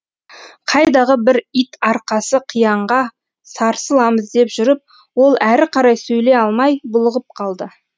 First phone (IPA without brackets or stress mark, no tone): qʰ